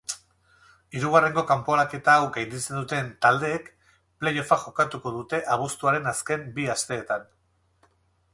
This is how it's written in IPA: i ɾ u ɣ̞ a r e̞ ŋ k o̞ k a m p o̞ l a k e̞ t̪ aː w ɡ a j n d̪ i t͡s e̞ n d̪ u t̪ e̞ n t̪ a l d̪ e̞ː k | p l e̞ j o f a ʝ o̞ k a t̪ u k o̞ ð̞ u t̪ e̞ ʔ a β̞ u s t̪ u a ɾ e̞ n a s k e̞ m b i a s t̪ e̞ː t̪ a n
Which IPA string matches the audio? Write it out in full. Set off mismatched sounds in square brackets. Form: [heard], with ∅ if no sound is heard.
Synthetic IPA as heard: i ɾ u ɣ̞ a r e̞ ŋ [ɡ] o̞ k a m p o̞ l a k e̞ t̪ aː w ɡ a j n d̪ i t͡s e̞ n d̪ u t̪ e̞ n t̪ a l d̪ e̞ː k | p l e̞ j o f a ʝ o̞ k a t̪ u k o̞ ð̞ u t̪ e̞ ʔ a β̞ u s t̪ u a ɾ e̞ n a s k e̞ m b i a s t̪ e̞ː t̪ a n

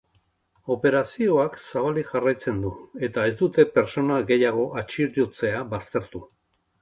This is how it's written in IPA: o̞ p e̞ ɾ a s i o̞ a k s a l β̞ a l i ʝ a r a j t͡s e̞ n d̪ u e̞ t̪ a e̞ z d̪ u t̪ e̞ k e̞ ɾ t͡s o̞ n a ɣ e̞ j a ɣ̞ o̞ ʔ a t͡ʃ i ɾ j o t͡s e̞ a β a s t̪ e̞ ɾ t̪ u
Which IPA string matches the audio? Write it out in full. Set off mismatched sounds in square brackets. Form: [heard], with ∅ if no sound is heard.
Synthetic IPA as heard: o̞ p e̞ ɾ a s i o̞ a k s a [∅] β̞ a l i ʝ a r a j t͡s e̞ n d̪ u e̞ t̪ a e̞ z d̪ u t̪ e̞ [p] e̞ ɾ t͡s o̞ n a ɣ e̞ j a ɣ̞ o̞ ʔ a t͡ʃ i ɾ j o t͡s e̞ a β a s t̪ e̞ ɾ t̪ u

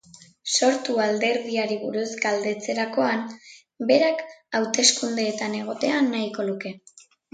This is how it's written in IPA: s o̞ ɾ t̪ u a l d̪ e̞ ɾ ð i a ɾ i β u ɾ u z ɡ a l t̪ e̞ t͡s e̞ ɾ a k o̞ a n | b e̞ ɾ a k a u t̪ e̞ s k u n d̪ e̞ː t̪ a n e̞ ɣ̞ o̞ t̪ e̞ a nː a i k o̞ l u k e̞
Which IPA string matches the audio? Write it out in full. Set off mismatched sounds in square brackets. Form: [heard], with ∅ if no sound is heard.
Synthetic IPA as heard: s o̞ ɾ t̪ u a l d̪ e̞ ɾ ð i a ɾ i β u ɾ u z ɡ a l [d̪] e̞ t͡s e̞ ɾ a k o̞ a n | b e̞ ɾ a k a [w] t̪ e̞ s k u n d̪ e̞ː t̪ a n e̞ ɣ̞ o̞ t̪ e̞ a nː a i k o̞ l u k e̞

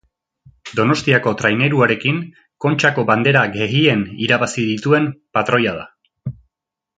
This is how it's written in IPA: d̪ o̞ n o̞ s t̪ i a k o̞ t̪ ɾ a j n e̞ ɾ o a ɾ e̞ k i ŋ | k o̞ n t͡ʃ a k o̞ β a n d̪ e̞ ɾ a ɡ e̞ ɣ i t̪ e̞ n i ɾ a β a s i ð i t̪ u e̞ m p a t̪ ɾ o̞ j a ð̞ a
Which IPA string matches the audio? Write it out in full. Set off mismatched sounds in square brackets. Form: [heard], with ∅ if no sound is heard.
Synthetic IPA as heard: d̪ o̞ n o̞ s t̪ i a k o̞ t̪ ɾ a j n e̞ ɾ [u] a ɾ e̞ k i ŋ | k o̞ n t͡ʃ a k o̞ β a n d̪ e̞ ɾ a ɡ e̞ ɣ i [∅] e̞ n i ɾ a β a s i ð i t̪ u e̞ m p a t̪ ɾ o̞ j a ð̞ a

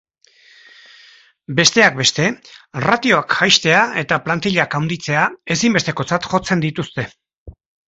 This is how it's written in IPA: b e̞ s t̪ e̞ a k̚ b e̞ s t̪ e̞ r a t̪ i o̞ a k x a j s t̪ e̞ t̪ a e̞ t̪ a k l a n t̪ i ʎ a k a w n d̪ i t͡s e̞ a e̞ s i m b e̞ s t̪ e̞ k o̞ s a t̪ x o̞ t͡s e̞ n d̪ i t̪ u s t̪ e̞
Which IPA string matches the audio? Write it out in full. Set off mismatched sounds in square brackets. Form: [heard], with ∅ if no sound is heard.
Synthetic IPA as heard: b e̞ s t̪ e̞ a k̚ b e̞ s t̪ e̞ r a t̪ i o̞ a k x a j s t̪ e̞ [∅] a e̞ t̪ a [p] l a n t̪ i ʎ a k a w n d̪ i t͡s e̞ a e̞ s i m b e̞ s t̪ e̞ k o̞ [t͡s] a t̪ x o̞ t͡s e̞ n d̪ i t̪ u s t̪ e̞

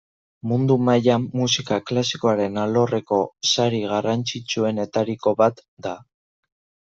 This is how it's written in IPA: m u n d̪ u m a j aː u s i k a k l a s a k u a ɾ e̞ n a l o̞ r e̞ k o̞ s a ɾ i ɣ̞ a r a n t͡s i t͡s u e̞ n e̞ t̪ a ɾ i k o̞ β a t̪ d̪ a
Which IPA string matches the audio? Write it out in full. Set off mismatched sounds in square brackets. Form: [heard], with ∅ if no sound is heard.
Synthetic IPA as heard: m u n d̪ u m a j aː u s i k a k l a s [i] k [o] a ɾ e̞ n a l o̞ r e̞ k o̞ s a ɾ i ɣ̞ a r a n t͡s i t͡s u e̞ n e̞ t̪ a ɾ i k o̞ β a t̪ d̪ a

